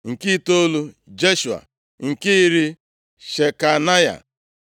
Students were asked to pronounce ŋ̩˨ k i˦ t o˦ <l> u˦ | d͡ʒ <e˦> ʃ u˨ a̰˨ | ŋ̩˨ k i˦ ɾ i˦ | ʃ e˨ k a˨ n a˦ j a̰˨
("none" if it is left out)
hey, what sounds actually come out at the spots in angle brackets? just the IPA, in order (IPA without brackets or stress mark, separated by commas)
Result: l, e˦